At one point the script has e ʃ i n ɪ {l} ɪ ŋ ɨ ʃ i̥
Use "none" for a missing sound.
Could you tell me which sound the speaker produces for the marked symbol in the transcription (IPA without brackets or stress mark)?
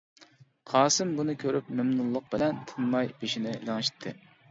l